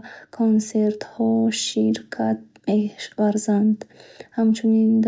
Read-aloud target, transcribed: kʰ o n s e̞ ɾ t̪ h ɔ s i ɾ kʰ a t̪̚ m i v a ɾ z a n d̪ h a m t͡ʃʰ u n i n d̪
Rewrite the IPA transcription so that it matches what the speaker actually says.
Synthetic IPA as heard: kʰ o n s e̞ ɾ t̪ h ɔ ʃ i ɾ kʰ a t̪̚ m e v a ɾ z a n d̪ h a m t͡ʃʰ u n i n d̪